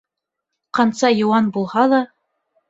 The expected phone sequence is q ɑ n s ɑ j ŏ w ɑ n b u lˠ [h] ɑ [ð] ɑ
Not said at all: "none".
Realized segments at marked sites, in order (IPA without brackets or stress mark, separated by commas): h, ð